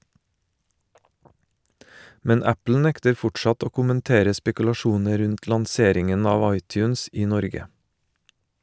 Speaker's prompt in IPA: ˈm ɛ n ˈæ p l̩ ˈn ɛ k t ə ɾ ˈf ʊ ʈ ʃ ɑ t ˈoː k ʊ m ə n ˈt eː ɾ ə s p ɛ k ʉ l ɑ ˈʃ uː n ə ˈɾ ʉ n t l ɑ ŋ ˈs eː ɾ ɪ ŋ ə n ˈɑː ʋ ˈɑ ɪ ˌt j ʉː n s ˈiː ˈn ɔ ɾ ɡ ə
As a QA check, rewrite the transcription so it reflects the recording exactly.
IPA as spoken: ˈm ɛ n ˈæ p l̩ ˈn ɛ k t ə ɾ ˈf ʊ ʈ ʃ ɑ t ˈoː k ʊ m ə n ˈt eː ɾ ə s p ɛ k ʉ l ɑ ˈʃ uː n ə ˈɾ ʉ n t l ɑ ŋ ˈs eː ɾ ɪ ŋ ə n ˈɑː ʋ ˈɑ ɪ ˌt j ʉː n s ˈiː ˈn ɔ ɾ ɡ ə